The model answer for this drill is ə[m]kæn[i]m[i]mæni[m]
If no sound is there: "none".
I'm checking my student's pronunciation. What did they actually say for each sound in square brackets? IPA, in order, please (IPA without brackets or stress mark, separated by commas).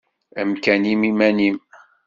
m, i, i, m